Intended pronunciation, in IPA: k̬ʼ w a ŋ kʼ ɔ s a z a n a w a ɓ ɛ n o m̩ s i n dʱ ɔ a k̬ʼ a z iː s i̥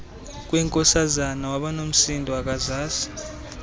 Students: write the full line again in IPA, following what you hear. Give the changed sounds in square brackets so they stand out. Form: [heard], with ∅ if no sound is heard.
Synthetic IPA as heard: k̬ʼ w [ɛ] ŋ kʼ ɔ s a z a n a w a ɓ [a] n o m̩ s i n dʱ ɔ a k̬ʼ a z [aː] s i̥